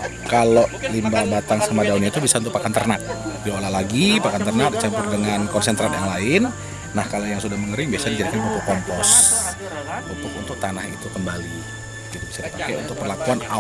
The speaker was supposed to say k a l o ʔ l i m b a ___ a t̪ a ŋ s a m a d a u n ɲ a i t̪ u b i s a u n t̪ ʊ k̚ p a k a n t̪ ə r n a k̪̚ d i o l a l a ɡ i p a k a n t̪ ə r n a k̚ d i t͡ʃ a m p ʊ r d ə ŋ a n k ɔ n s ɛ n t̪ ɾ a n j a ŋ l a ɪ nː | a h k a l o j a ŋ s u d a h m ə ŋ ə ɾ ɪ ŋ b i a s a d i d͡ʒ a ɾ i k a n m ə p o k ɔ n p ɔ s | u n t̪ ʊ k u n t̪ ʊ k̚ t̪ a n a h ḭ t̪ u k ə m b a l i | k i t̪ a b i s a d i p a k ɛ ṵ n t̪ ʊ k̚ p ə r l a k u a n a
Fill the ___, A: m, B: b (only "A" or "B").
B